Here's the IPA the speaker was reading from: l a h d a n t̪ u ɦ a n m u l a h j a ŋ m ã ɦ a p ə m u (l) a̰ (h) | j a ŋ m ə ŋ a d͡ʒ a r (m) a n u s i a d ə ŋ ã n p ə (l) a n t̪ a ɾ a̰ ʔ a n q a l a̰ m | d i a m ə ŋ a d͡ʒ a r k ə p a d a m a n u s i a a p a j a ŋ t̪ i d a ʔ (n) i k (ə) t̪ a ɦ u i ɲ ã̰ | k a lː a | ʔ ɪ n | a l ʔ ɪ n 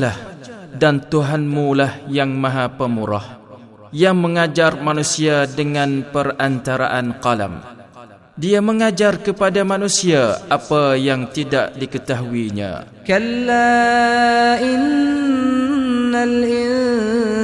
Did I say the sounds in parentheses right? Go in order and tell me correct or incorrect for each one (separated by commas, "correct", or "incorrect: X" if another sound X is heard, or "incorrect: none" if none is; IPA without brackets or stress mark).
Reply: incorrect: ɾ, correct, correct, incorrect: r, incorrect: d, correct